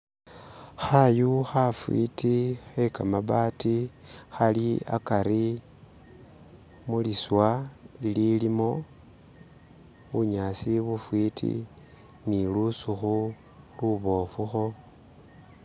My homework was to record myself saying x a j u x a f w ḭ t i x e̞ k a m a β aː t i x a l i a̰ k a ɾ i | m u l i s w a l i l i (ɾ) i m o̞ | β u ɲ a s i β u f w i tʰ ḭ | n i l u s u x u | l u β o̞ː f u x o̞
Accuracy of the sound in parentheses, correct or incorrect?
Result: incorrect